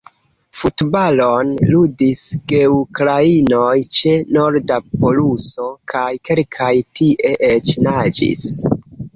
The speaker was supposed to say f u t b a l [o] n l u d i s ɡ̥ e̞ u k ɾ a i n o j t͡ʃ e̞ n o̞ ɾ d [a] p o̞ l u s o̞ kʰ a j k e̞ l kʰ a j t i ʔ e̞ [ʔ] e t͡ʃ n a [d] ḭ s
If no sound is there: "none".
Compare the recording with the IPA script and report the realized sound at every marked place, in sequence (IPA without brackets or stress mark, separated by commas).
o, a, ʔ, d͡ʒ